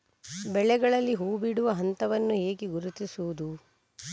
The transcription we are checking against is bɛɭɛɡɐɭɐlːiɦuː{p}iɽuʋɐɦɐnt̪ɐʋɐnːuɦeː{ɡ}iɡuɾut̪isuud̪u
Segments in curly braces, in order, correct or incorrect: incorrect: b, correct

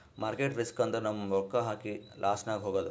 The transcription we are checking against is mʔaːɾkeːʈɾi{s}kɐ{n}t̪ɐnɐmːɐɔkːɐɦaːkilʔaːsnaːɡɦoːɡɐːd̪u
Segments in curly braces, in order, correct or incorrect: correct, correct

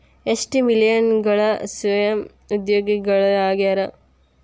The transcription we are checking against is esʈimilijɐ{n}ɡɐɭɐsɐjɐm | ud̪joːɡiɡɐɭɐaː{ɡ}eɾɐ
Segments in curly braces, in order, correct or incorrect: correct, correct

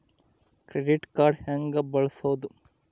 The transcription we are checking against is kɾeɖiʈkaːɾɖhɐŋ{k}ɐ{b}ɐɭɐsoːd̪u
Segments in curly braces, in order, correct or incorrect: incorrect: ɡ, correct

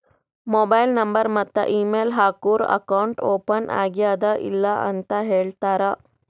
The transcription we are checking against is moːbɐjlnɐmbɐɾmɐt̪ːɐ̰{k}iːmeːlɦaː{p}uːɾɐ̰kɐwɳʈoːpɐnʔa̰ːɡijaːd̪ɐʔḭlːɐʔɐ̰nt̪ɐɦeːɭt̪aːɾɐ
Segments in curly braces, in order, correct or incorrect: incorrect: ʔ, incorrect: k

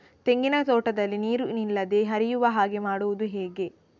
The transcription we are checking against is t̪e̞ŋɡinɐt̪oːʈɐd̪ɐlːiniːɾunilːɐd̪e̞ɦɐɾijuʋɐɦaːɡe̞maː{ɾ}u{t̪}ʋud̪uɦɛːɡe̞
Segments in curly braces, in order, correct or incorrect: incorrect: ɽ, incorrect: none

